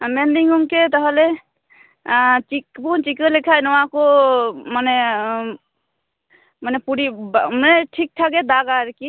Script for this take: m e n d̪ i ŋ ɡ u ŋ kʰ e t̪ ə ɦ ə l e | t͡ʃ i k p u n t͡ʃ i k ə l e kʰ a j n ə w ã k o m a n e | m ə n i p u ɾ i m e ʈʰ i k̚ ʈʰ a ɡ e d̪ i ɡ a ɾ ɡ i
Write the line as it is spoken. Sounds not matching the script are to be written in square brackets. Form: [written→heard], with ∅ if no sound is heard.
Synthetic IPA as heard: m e n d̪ i ŋ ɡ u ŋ [kʰ→k] e t̪ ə ɦ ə l e | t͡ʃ i k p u n t͡ʃ i k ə l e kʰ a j n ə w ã k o m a n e | m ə n [i→e] p u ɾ i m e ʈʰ i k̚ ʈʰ a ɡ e d̪ [i→a] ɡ a ɾ [ɡ→k] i